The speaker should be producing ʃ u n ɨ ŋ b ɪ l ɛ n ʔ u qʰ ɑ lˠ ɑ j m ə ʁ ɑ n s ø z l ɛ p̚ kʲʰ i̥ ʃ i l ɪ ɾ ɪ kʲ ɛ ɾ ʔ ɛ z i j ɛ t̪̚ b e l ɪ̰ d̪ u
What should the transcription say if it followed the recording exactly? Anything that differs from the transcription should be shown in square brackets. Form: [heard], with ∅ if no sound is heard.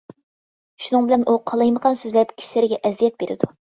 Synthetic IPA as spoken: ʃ u n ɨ ŋ b ɪ l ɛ n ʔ u qʰ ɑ lˠ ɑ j m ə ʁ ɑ n s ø z l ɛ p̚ kʲʰ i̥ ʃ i l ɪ ɾ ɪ [ɡʲ] ɛ [∅] ʔ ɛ z i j ɛ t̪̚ b e [ɾ] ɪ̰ d̪ u